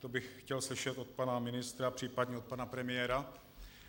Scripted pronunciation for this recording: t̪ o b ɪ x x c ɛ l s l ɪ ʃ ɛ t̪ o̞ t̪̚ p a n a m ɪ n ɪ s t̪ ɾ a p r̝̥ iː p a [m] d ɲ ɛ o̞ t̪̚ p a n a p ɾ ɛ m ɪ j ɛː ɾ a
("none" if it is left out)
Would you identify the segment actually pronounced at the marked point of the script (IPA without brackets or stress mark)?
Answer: none